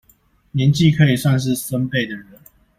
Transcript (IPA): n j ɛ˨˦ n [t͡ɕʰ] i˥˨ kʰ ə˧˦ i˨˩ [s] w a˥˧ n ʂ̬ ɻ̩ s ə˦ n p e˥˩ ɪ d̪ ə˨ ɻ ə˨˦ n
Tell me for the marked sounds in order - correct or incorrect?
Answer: incorrect: t͡ɕ, correct

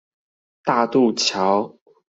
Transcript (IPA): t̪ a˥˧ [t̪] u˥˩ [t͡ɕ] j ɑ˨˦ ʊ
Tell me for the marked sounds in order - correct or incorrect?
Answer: correct, incorrect: t͡ɕʰ

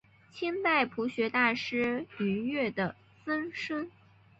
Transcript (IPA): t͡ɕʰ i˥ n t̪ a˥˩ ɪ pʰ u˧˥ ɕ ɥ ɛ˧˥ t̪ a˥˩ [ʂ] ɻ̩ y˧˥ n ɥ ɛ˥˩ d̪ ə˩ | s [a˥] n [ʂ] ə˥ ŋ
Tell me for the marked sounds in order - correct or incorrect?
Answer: correct, incorrect: ə˥, correct

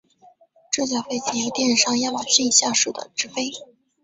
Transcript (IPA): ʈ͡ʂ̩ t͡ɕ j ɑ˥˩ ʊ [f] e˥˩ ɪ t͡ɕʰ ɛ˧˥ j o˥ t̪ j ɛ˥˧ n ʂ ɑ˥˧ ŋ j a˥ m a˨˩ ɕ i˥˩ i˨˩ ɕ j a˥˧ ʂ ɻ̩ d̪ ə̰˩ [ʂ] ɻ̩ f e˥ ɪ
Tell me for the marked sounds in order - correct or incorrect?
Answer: correct, incorrect: ʈ͡ʂ

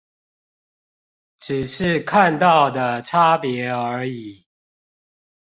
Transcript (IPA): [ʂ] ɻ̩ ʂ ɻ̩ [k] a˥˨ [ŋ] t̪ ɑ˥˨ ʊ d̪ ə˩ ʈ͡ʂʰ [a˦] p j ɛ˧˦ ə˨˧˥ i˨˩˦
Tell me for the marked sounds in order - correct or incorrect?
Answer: incorrect: ʈ͡ʂ, incorrect: kʰ, incorrect: n, correct

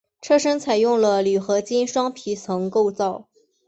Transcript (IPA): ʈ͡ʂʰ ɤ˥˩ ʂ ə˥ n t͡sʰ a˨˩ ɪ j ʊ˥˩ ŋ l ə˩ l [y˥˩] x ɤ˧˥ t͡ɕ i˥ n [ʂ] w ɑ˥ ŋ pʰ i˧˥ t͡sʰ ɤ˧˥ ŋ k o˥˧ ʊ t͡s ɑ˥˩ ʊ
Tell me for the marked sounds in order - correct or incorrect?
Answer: incorrect: y˨˩, correct

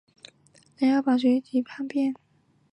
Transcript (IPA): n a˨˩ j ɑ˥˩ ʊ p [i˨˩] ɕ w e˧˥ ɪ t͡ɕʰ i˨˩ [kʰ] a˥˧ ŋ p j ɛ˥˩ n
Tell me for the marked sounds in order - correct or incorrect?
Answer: incorrect: a˨˩, incorrect: pʰ

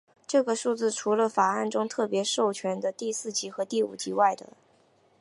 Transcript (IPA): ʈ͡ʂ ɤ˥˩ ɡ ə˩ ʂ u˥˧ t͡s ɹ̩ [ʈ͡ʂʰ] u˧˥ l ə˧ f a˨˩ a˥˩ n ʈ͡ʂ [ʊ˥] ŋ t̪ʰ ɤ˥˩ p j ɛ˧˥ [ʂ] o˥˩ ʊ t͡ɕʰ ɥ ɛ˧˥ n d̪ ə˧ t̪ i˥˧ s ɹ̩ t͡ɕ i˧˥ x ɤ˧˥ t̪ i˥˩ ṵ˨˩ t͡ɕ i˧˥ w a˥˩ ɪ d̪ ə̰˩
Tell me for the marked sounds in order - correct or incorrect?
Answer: correct, correct, correct

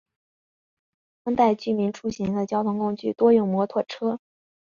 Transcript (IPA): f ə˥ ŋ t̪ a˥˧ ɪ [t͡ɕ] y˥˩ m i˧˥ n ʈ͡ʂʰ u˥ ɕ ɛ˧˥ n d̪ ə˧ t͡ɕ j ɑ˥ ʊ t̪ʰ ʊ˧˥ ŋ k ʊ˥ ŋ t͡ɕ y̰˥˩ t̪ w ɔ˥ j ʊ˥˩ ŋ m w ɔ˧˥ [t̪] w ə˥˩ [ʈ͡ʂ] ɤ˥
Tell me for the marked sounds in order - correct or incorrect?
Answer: correct, incorrect: t̪ʰ, incorrect: ʈ͡ʂʰ

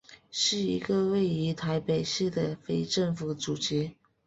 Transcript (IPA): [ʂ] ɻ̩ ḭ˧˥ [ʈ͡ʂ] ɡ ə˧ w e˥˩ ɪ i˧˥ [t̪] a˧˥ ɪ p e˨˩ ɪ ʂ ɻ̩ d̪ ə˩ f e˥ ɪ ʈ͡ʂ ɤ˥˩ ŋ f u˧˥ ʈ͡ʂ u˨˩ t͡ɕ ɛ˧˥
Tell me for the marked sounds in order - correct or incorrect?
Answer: correct, incorrect: none, incorrect: t̪ʰ

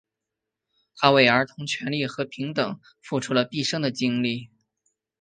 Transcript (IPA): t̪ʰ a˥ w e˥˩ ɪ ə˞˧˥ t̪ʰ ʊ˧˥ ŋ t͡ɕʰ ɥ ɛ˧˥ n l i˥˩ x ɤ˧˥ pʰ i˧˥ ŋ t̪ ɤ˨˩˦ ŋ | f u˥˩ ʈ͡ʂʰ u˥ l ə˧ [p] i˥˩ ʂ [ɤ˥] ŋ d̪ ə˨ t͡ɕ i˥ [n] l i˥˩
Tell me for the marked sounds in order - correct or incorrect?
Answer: correct, correct, incorrect: ŋ

